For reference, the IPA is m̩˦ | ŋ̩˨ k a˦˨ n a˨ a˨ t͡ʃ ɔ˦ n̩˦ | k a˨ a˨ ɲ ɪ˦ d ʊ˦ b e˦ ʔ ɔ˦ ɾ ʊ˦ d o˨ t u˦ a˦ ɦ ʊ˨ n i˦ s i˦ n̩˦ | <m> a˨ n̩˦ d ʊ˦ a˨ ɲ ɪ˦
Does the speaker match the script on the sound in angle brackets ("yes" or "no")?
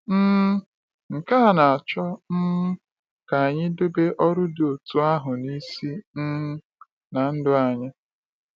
no